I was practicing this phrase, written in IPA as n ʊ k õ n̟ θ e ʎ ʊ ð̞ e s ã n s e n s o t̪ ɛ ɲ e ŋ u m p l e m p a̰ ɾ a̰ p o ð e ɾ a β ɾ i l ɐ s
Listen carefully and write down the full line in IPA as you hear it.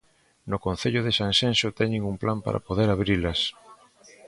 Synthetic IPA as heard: n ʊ k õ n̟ θ e ʎ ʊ ð̞ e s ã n s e n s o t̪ ɛ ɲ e ŋ u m p l a m p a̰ ɾ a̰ p o ð e ɾ a β ɾ i l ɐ s